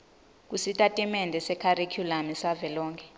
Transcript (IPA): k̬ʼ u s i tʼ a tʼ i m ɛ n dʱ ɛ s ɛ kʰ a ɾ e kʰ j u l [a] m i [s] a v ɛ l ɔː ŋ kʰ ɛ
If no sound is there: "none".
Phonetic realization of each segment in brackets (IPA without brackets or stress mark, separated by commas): a, s